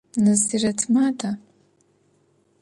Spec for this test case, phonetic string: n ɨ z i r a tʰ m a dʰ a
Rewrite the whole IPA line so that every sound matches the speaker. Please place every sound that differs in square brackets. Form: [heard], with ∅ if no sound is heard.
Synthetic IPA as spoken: n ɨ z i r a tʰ m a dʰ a